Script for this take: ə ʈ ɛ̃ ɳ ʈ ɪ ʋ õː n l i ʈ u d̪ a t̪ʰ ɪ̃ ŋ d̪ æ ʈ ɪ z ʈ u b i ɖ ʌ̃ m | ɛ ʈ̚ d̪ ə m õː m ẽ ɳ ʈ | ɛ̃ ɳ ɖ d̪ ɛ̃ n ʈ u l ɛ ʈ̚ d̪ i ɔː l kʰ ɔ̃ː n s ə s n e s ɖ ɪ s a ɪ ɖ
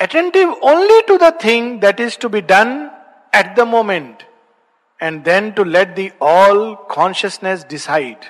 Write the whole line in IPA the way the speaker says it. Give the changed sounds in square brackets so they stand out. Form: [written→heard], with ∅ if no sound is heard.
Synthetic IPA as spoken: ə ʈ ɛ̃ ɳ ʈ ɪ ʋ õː n l i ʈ u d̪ [a→ə] t̪ʰ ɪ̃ ŋ d̪ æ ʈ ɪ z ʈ u b i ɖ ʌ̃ [m→n] | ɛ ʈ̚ d̪ ə m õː m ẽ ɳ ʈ | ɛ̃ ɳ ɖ d̪ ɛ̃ n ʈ u l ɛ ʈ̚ d̪ i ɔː l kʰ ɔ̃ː n [s→ʃ] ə s n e s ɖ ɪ s a ɪ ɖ